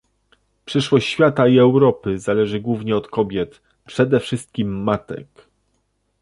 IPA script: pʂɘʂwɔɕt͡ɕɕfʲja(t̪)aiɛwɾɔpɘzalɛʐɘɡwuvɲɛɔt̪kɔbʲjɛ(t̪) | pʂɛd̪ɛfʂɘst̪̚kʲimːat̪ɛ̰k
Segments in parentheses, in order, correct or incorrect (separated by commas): correct, correct